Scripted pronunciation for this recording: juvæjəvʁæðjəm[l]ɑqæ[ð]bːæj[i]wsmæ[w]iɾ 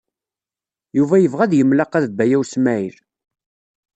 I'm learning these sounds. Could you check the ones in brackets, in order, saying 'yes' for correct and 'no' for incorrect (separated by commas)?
yes, yes, no, no